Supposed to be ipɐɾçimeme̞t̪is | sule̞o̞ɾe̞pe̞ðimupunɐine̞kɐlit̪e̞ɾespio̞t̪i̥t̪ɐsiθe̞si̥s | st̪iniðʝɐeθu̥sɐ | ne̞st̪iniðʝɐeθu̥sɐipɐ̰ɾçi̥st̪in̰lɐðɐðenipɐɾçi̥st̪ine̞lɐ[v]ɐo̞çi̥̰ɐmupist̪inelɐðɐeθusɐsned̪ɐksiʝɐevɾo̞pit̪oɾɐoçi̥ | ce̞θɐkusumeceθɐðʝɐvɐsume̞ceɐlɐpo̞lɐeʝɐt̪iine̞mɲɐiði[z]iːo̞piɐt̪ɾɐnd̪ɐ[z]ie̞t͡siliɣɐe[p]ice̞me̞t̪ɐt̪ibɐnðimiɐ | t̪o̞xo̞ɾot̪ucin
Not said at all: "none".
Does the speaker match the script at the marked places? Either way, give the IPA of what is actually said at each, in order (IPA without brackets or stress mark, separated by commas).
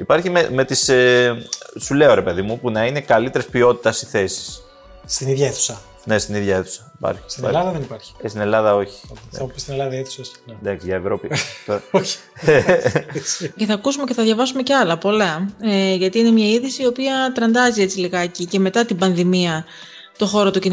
ð, s, z, c